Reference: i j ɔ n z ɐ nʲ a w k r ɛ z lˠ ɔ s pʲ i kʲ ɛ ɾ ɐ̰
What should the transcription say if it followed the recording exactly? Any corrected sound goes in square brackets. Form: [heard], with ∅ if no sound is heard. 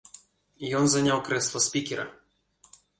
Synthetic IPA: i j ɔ n z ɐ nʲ a w k [ɾ] ɛ [s] lˠ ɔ s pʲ i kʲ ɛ ɾ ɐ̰

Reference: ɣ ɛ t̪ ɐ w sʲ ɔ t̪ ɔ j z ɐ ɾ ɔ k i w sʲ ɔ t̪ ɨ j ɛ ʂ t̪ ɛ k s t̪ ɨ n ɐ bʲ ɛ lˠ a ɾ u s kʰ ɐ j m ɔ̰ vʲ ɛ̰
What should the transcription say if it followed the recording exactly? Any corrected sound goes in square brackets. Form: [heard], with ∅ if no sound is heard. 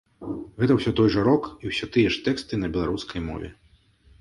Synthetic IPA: ɣ ɛ t̪ ɐ w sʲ ɔ t̪ ɔ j [ʐ] ɐ ɾ ɔ k i w sʲ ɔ t̪ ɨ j ɛ ʂ t̪ ɛ k s t̪ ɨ n ɐ bʲ ɛ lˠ a ɾ u s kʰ ɐ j m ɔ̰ vʲ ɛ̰

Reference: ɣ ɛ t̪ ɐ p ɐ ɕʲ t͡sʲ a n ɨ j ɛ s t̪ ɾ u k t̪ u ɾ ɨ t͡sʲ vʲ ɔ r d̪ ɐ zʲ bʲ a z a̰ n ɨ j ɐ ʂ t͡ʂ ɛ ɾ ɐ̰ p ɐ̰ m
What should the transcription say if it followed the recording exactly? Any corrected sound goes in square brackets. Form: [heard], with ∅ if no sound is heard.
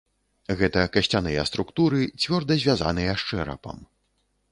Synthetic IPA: ɣ ɛ t̪ ɐ [k] ɐ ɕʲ t͡sʲ a n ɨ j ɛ s t̪ ɾ u k t̪ u ɾ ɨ t͡sʲ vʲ ɔ r d̪ ɐ zʲ [vʲ] a z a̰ n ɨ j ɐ ʂ t͡ʂ ɛ ɾ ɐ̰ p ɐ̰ m

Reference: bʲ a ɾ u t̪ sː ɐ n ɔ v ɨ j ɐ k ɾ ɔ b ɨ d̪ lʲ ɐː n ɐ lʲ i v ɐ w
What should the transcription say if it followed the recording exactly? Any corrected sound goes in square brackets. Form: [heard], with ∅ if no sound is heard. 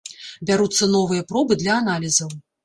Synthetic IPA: bʲ a ɾ u t̪ sː ɐ n ɔ v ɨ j ɐ [p] ɾ ɔ b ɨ d̪ lʲ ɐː n [a] lʲ i [z] ɐ w

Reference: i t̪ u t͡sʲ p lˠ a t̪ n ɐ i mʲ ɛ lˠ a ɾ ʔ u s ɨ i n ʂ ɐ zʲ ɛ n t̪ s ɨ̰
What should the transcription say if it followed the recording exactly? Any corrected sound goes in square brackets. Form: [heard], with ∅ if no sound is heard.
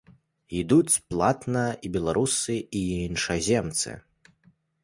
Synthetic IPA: i [d̪] u t͡sʲ p lˠ a t̪ n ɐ i [bʲ] ɛ lˠ a ɾ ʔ u s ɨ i n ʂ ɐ zʲ ɛ [m] t̪ s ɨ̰

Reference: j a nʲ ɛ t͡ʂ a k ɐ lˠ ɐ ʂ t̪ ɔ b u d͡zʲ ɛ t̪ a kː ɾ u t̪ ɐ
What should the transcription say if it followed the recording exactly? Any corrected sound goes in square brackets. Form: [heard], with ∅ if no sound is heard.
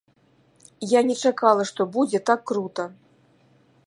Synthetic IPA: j a nʲ ɛ t͡ʂ a k [a] lˠ ɐ ʂ t̪ ɔ b u d͡zʲ ɛ t̪ a kː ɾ u t̪ ɐ

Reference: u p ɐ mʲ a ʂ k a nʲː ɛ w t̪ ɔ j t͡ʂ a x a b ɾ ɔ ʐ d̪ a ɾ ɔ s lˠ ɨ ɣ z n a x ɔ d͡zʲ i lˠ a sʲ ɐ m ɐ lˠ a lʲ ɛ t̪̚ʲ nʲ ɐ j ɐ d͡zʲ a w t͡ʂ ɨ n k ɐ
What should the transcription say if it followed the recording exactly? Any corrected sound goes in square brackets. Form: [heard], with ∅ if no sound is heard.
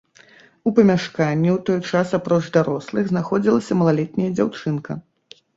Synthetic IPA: u p ɐ mʲ a ʂ k a nʲː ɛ w t̪ ɔ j t͡ʂ a [s] a [p] ɾ ɔ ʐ d̪ a ɾ ɔ s lˠ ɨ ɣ z n a x ɔ d͡zʲ i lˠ [ɐ] sʲ ɐ m ɐ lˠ a lʲ ɛ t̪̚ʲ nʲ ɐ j ɐ d͡zʲ a w t͡ʂ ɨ n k ɐ

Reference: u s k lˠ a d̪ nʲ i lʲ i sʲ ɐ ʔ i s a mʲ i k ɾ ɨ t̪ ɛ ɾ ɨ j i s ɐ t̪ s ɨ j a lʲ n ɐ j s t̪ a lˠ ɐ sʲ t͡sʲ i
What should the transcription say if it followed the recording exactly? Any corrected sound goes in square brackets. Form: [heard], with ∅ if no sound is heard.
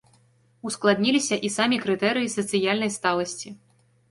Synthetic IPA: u s k lˠ a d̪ nʲ i lʲ i sʲ ɐ ʔ i s a mʲ i k ɾ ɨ t̪ ɛ ɾ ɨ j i s ɐ t̪ s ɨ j a lʲ n ɐ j s t̪ a lˠ ɐ sʲ t͡sʲ i

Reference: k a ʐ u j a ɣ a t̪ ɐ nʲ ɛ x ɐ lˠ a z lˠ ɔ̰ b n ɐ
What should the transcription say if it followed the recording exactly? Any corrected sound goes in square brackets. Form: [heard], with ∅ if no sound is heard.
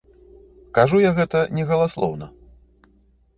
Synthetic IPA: k a ʐ u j a ɣ [ɛ] t̪ ɐ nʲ ɛ [ɣ] ɐ lˠ a [s] lˠ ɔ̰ [w] n ɐ

